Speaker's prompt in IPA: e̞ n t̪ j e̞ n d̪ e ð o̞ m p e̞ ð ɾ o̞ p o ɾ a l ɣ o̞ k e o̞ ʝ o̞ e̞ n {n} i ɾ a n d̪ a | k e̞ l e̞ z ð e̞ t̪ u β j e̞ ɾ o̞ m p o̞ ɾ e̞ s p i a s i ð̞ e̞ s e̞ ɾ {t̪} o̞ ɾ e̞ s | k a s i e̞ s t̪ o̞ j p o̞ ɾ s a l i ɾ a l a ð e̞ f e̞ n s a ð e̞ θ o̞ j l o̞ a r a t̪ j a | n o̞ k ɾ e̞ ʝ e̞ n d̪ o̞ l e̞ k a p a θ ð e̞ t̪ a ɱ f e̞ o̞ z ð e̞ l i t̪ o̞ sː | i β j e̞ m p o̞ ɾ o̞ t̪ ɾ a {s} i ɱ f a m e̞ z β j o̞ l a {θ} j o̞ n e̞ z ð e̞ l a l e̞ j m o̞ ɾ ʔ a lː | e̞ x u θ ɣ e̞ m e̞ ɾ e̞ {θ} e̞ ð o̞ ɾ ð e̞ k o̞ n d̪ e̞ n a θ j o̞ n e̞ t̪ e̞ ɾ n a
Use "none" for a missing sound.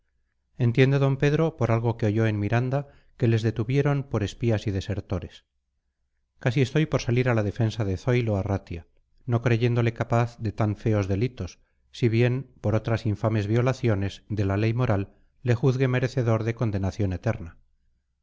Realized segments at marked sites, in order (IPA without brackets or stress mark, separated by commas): m, t̪, s, θ, θ